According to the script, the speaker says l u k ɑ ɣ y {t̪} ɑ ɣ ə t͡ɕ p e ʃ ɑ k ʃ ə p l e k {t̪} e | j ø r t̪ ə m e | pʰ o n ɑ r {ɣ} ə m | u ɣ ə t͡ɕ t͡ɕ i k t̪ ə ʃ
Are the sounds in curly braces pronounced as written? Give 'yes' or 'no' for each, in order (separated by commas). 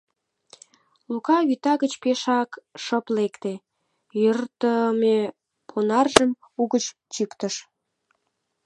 yes, yes, no